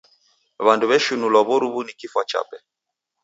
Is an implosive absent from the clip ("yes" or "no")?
yes